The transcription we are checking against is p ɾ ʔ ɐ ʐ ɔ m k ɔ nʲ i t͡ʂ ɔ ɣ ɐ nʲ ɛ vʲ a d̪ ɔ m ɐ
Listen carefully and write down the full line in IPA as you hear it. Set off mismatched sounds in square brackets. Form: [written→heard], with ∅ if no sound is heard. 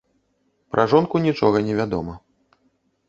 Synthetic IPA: p ɾ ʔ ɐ ʐ ɔ [m→n] k [ɔ→u] nʲ i t͡ʂ ɔ ɣ ɐ nʲ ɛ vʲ a d̪ ɔ m ɐ